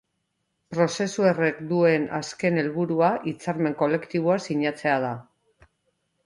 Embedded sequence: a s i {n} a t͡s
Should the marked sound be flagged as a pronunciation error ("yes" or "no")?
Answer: yes